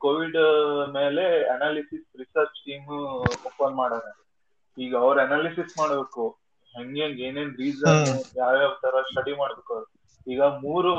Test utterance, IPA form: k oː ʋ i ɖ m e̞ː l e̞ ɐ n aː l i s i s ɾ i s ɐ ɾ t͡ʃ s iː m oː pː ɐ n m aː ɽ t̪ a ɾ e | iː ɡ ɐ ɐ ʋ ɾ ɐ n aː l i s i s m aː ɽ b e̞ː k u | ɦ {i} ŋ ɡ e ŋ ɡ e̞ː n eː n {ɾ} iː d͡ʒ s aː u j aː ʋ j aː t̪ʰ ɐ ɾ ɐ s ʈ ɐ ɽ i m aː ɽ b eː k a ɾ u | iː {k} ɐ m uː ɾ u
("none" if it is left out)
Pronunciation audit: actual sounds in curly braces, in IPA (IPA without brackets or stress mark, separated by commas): e, ɾ, ɡ